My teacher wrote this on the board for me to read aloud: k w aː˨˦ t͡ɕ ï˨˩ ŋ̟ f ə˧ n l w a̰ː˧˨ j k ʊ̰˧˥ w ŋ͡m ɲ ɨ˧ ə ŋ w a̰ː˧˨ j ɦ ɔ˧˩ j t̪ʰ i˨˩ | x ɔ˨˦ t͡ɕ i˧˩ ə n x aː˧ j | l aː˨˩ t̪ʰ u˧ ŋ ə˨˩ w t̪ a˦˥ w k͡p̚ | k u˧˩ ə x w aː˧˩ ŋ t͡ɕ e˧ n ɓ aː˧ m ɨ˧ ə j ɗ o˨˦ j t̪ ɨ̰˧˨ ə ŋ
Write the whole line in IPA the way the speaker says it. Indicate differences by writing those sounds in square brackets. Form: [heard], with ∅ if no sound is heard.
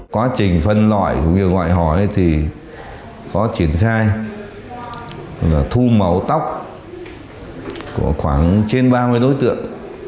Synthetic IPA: k w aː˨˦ t͡ɕ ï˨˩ ŋ̟ f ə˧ n l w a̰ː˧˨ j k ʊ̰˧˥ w ŋ͡m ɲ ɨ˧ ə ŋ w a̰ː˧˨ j ɦ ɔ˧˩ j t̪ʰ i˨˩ | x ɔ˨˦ t͡ɕ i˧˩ ə n x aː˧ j | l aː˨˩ t̪ʰ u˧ [m] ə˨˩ w t̪ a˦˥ w k͡p̚ | k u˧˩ ə x w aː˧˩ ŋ t͡ɕ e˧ n ɓ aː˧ m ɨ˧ ə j ɗ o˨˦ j t̪ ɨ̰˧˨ ə ŋ